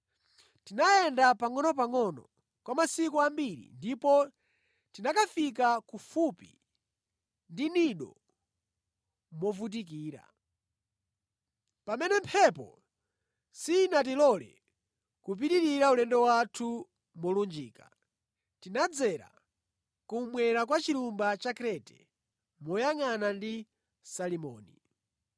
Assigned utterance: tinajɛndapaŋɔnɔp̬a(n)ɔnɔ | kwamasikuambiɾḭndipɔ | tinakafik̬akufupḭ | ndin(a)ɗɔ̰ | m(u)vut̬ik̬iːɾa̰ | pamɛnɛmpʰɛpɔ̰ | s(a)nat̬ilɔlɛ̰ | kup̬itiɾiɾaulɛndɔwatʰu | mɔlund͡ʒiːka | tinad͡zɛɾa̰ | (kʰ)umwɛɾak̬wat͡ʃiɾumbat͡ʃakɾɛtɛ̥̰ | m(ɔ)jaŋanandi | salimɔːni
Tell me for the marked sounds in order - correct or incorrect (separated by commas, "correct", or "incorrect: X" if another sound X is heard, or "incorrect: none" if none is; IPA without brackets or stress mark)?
incorrect: ŋ, incorrect: i, incorrect: ɔ, incorrect: i, incorrect: k, correct